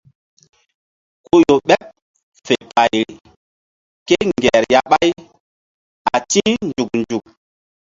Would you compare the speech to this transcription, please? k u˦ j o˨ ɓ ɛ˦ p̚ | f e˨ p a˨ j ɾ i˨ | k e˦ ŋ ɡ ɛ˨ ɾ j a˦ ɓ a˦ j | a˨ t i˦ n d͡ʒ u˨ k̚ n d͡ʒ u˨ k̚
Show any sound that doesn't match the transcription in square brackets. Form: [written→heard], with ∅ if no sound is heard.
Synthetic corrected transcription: k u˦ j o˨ ɓ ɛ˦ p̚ | f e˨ p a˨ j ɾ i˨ | k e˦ ŋ ɡ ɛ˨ ɾ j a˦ ɓ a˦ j | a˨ t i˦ n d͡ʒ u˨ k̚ n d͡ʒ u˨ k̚